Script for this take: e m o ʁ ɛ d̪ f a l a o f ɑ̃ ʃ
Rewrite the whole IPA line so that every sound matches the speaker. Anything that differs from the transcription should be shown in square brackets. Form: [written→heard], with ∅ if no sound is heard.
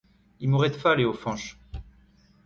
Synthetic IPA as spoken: [e→i] m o ʁ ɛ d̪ f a l [a→e] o f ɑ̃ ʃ